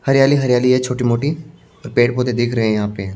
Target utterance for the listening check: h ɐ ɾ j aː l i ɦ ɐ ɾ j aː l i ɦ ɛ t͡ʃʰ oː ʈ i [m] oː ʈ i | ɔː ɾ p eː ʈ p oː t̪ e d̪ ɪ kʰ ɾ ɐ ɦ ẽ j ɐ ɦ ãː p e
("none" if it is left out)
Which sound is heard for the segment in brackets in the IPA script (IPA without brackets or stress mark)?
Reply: m